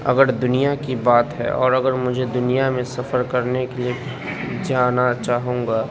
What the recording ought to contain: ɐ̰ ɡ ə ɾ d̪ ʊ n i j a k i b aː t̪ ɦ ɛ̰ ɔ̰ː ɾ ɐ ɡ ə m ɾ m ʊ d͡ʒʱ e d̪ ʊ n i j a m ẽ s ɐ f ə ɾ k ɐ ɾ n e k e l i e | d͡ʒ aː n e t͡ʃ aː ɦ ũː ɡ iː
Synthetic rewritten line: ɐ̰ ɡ ə ɾ d̪ ʊ n i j a k i b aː t̪ ɦ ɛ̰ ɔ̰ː ɾ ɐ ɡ ə ɾ m ʊ d͡ʒʱ e d̪ ʊ n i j a m ẽ s ɐ f ə ɾ k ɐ ɾ n e k e l i e | d͡ʒ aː n a t͡ʃ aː ɦ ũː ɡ aː